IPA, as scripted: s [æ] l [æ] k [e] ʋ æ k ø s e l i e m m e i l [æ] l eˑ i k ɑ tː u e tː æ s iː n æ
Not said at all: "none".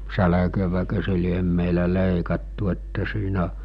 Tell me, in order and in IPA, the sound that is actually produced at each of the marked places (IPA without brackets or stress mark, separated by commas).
æ, æ, ø, æ